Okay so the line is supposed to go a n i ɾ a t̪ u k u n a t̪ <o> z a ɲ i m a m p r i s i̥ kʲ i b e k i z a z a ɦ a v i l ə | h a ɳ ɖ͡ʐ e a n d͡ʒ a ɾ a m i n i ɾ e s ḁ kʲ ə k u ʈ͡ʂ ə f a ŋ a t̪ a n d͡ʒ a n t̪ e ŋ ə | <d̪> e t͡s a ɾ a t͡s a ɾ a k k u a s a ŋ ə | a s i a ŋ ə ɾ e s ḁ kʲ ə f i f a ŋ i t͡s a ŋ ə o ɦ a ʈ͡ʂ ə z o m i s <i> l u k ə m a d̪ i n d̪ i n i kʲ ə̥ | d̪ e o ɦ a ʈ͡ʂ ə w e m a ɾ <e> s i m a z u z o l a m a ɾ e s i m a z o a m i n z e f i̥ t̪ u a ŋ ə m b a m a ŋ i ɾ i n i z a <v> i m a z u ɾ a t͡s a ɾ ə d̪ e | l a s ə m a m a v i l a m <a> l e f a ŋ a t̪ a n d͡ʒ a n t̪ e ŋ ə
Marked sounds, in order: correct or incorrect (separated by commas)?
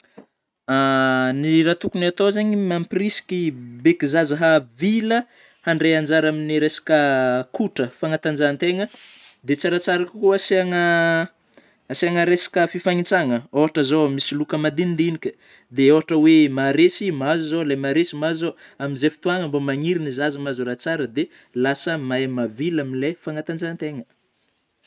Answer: correct, correct, correct, correct, incorrect, incorrect